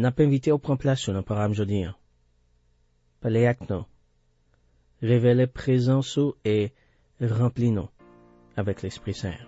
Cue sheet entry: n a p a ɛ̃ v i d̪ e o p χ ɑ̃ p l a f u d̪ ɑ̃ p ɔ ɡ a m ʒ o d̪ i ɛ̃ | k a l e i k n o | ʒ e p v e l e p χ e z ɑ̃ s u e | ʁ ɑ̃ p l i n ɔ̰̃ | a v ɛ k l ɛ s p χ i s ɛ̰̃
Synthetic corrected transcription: n a p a ɛ̃ v i t̪ e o p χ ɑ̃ p l a s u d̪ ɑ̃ p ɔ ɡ a m ʒ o d̪ i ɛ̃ | p a l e a k n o | ʁ e v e l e p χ e z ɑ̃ s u e | ʁ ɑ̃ p l i n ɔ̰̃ | a v ɛ k l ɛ s p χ i s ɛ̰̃